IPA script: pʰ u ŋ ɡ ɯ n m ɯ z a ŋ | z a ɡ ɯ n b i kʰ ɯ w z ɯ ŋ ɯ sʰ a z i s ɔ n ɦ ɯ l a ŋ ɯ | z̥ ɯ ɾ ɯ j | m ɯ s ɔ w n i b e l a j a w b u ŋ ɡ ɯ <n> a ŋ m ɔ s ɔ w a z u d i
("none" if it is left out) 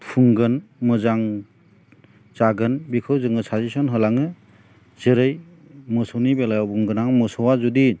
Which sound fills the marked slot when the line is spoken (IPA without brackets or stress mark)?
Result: n